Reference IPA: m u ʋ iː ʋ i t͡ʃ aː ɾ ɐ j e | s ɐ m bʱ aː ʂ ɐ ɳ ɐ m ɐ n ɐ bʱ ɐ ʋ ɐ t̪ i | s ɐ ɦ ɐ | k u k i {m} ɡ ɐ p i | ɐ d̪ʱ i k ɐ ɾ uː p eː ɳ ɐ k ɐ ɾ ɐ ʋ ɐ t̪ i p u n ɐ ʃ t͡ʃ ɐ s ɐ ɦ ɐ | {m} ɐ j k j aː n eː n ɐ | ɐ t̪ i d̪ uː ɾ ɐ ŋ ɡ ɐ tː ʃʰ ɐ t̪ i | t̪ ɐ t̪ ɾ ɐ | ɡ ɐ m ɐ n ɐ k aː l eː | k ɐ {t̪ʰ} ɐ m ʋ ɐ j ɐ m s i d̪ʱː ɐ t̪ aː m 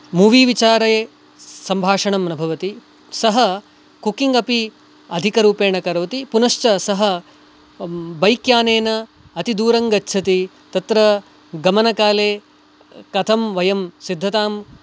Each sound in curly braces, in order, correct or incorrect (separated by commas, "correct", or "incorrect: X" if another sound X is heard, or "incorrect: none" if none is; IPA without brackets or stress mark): incorrect: ŋ, incorrect: b, correct